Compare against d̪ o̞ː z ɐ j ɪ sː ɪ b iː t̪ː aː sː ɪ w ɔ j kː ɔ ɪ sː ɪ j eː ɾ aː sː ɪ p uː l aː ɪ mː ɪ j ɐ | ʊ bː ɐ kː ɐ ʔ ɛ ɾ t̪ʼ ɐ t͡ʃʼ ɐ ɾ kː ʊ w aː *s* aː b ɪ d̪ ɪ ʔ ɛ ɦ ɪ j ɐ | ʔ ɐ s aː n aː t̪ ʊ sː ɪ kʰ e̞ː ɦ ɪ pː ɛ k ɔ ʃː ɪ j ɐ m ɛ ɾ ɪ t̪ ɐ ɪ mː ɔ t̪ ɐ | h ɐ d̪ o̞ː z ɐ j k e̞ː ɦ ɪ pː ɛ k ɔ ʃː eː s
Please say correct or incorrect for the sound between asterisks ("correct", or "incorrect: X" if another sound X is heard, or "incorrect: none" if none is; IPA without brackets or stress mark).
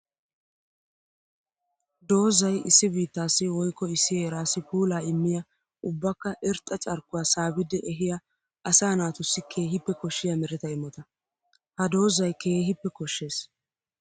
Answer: correct